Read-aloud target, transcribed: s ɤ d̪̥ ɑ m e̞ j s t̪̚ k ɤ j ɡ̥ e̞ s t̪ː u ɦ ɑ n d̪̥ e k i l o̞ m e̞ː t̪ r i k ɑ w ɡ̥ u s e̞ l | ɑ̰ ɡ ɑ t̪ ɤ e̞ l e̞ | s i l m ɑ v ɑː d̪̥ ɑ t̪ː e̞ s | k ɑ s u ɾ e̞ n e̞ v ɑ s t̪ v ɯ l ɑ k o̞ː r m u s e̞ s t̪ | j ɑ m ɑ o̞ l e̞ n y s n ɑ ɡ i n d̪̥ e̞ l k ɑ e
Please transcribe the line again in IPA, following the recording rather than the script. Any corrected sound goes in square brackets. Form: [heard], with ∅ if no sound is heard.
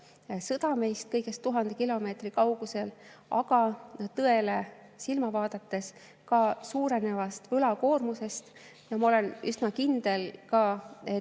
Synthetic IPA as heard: s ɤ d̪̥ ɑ m e̞ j s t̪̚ k ɤ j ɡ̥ e̞ s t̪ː u ɦ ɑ n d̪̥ e k i l o̞ m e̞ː t̪ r i k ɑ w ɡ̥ u s e̞ l | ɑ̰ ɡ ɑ t̪ ɤ e̞ l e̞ | s i l m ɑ v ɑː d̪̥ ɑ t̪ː e̞ s | k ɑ s [uː] ɾ e̞ n e̞ v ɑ s t̪ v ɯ l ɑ k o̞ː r m u s e̞ s t̪ | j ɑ m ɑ o̞ l e̞ n y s n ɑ [k] i n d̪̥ e̞ l k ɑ e